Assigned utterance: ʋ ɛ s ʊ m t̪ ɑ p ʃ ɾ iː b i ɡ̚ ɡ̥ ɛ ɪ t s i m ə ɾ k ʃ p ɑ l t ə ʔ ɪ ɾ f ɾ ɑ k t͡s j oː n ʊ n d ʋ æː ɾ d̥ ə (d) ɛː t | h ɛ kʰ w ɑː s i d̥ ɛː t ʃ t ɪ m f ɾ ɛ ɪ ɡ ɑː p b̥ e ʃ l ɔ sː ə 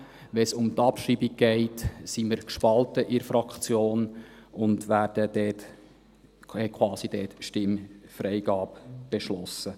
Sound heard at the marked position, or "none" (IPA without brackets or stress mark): d